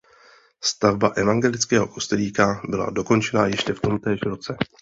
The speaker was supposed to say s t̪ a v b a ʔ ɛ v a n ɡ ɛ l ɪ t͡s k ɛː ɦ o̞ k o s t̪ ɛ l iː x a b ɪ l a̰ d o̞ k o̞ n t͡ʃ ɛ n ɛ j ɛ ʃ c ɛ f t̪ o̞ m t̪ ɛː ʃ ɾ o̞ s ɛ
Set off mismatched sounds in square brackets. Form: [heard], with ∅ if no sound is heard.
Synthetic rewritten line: s t̪ a v b a ʔ ɛ v a [ŋ] ɡ ɛ l ɪ t͡s k ɛː ɦ o̞ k o s t̪ ɛ l iː [k] a b ɪ l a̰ d o̞ k o̞ n t͡ʃ ɛ n [a] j ɛ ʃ c ɛ f t̪ o̞ m t̪ ɛː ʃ ɾ o̞ [t͡s] ɛ

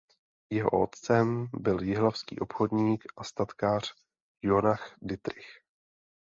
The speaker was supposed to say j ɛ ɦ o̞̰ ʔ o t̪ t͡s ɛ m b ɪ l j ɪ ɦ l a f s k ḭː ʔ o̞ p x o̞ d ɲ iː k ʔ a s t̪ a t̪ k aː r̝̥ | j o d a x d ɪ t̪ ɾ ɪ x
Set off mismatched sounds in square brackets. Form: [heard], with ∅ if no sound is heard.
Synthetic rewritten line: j ɛ ɦ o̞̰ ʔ o t̪ t͡s ɛ m b ɪ l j ɪ ɦ l a f s k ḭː ʔ o̞ p x o̞ d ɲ iː k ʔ a s t̪ a t̪ k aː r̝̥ | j o [n] a x d ɪ t̪ ɾ ɪ x

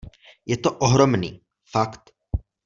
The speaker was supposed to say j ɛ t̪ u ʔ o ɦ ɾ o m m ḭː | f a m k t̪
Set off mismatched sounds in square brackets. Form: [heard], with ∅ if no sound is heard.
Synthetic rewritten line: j ɛ t̪ [o] ʔ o ɦ ɾ o m [n] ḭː | f a [∅] k t̪

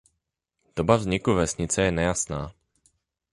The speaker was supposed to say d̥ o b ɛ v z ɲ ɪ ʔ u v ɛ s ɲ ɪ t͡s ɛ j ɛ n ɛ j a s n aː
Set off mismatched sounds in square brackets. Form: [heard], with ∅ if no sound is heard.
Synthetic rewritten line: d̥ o b [a] v z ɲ ɪ [k] u v ɛ s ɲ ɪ t͡s ɛ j ɛ n ɛ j a s n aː

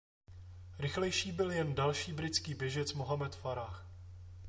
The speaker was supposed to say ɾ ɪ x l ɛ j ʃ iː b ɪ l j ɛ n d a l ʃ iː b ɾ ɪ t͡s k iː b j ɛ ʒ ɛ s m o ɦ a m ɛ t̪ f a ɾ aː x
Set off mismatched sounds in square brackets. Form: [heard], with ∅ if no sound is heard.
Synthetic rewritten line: ɾ ɪ x l ɛ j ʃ iː b ɪ l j ɛ n d a l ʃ iː b ɾ ɪ t͡s k iː b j ɛ ʒ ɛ [t͡s] m o ɦ a m ɛ t̪ f a ɾ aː x

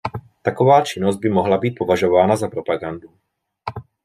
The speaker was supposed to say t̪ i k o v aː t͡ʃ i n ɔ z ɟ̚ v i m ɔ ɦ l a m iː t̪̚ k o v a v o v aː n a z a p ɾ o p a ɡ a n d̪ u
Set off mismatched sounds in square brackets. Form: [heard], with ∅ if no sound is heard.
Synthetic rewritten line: t̪ [a] k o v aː t͡ʃ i n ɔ z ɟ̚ [b] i m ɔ ɦ l a [b] iː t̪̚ [p] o v a [ʒ] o v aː n a z a p ɾ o p a ɡ a n d̪ u

